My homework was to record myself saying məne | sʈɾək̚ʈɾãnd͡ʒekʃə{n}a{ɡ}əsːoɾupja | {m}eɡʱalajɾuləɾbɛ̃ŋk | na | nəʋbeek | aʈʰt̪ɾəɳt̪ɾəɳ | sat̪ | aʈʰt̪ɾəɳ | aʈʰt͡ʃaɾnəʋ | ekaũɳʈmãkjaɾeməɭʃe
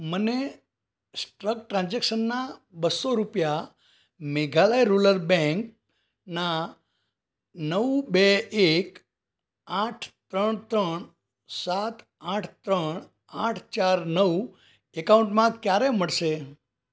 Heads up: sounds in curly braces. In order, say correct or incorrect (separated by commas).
incorrect, incorrect, correct